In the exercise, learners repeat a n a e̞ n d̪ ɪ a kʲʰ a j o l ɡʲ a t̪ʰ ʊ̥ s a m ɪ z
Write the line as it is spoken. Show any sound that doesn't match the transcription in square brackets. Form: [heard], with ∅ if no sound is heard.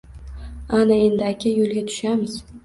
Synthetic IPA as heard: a n a e̞ n d̪ ɪ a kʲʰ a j o l ɡʲ a t̪ʰ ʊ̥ [ʃ] a m ɪ z

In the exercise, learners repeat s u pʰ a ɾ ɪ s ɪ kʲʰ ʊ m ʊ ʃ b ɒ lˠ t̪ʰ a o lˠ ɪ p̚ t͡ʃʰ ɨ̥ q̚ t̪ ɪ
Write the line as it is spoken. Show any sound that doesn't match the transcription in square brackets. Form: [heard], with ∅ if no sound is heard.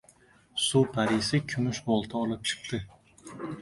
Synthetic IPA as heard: s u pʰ a ɾ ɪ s ɪ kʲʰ ʊ m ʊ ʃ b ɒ lˠ t̪ʰ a [ɒ] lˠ ɪ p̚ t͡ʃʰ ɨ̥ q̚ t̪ ɪ

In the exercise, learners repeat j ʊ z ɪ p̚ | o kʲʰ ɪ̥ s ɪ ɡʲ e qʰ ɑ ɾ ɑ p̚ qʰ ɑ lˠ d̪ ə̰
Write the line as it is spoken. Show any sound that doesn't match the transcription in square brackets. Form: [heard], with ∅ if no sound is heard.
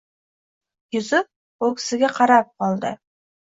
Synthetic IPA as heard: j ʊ z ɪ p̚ | o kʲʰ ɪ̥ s ɪ ɡʲ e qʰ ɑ ɾ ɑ p̚ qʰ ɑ lˠ d̪ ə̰

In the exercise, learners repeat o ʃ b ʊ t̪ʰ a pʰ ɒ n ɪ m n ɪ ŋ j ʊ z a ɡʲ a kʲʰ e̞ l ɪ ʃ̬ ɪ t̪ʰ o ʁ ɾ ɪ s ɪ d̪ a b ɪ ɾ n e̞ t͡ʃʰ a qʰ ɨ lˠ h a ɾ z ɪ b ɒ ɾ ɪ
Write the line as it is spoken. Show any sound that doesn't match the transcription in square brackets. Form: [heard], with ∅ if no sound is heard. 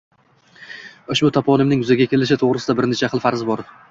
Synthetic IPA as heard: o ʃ b ʊ t̪ʰ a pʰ ɒ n ɪ m n ɪ ŋ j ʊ z a ɡʲ a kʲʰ e̞ l ɪ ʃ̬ ɪ t̪ʰ o ʁ ɾ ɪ s ɪ d̪ a b ɪ ɾ n e̞ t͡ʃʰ a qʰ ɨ lˠ [f] a ɾ z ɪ b ɒ ɾ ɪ

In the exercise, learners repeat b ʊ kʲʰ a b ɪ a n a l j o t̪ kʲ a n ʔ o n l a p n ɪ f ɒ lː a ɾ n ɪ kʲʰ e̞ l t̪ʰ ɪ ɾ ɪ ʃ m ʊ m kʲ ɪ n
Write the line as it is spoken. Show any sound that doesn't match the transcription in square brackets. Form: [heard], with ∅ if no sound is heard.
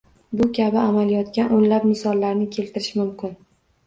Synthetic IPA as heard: b ʊ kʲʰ a b ɪ a [m] a l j [ɒ] t̪ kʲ a n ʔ o n l a p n ɪ [s] ɒ lː a ɾ n ɪ kʲʰ e̞ l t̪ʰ ɪ ɾ ɪ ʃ m ʊ m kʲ ɪ n

